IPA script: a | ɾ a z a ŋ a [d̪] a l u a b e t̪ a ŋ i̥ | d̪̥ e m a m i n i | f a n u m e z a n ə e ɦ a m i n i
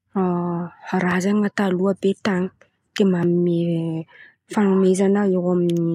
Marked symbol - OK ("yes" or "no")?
no